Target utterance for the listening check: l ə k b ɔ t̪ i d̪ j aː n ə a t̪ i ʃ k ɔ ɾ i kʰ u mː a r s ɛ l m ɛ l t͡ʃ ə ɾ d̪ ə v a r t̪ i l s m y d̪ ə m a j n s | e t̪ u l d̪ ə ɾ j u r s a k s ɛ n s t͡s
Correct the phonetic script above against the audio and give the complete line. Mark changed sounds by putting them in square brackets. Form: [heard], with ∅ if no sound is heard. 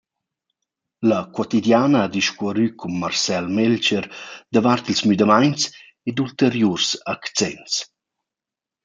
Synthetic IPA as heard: l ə k [w] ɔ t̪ i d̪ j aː n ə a [d̪] i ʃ k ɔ ɾ [y] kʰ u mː a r s ɛ l m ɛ l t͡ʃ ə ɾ d̪ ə v a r t̪ i l s m y d̪ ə m a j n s | e [d̪] u l [t̪] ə ɾ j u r s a k [t͡s] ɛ n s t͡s